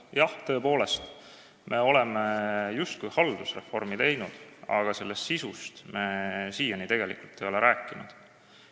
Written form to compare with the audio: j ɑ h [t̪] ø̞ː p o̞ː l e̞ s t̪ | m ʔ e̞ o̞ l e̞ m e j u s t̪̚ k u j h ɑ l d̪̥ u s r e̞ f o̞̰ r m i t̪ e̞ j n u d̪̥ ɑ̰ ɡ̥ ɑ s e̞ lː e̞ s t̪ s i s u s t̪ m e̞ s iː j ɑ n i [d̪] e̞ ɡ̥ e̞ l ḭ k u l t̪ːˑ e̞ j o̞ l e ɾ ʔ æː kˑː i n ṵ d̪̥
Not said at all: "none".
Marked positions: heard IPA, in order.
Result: t̪, t̪

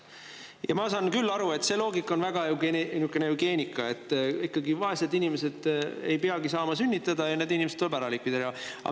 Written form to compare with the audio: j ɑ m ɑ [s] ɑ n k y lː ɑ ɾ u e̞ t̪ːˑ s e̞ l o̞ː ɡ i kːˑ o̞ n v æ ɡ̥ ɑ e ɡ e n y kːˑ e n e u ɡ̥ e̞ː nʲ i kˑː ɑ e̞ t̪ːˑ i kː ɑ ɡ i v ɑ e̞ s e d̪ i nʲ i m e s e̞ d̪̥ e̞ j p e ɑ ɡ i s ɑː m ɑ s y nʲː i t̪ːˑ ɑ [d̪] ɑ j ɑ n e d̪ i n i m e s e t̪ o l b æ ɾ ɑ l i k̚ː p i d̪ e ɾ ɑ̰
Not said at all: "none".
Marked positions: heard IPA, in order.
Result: s, d̪

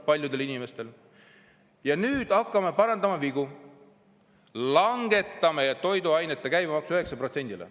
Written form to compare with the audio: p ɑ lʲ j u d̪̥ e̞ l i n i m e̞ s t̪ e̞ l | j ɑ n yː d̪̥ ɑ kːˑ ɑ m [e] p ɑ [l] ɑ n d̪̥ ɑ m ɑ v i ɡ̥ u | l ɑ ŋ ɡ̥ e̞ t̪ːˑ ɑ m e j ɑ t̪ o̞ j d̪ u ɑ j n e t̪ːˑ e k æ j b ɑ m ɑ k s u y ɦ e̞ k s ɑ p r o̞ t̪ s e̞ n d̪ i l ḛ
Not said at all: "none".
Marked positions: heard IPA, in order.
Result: e, ɾ

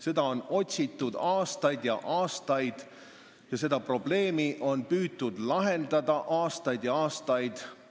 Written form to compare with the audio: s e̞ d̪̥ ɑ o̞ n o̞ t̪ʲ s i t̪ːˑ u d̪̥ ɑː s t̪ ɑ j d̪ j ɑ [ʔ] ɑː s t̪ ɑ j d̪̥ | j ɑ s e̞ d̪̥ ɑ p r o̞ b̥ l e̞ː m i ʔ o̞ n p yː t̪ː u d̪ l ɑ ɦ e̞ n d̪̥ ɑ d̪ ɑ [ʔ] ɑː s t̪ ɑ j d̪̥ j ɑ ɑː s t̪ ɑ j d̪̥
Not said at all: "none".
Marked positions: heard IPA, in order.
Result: ʔ, ʔ

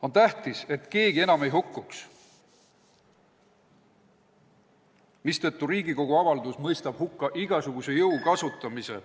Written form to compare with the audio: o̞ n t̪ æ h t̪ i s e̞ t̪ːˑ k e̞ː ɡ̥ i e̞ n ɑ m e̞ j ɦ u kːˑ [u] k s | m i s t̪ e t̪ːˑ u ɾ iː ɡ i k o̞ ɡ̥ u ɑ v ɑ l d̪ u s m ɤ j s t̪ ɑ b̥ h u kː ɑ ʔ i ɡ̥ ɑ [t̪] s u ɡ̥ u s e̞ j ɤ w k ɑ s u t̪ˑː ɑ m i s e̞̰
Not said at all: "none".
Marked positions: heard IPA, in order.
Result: u, none

